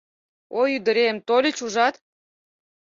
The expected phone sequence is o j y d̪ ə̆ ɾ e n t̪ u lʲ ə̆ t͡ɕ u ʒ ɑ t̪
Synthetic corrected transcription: o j y d̪ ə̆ ɾ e m t̪ o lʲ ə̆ t͡ɕ u ʒ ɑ t̪